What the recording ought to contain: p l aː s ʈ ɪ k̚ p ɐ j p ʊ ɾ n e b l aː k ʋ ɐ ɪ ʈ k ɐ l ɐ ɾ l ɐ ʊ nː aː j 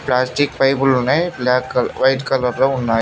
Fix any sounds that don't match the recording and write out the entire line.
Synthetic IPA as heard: p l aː s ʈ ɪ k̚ p ɐ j b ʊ l n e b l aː k ʋ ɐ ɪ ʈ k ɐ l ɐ ɾ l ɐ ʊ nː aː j